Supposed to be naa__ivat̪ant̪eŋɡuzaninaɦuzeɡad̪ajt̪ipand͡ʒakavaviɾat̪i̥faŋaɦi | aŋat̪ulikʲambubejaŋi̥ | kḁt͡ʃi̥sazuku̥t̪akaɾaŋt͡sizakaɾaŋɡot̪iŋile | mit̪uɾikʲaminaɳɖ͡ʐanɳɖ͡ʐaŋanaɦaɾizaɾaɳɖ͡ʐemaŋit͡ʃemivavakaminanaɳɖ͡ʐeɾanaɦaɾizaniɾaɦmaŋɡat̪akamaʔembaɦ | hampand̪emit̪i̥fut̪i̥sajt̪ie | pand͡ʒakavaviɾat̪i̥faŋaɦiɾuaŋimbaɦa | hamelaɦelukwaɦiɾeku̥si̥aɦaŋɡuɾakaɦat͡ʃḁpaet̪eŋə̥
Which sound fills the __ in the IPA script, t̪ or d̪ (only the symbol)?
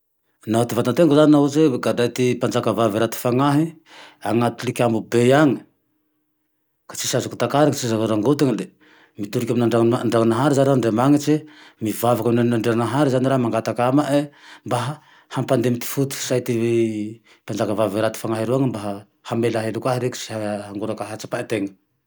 t̪